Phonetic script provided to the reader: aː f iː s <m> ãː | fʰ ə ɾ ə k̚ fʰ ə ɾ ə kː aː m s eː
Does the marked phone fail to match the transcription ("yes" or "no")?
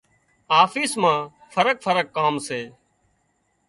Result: no